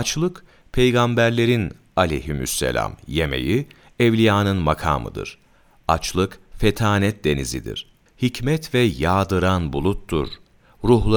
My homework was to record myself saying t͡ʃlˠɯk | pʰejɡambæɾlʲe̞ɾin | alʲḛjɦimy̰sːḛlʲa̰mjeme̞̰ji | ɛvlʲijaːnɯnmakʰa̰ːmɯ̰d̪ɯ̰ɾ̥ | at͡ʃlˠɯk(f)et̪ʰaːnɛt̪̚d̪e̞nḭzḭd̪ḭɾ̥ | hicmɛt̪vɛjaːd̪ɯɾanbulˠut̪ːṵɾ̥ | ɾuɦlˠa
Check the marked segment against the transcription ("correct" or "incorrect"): correct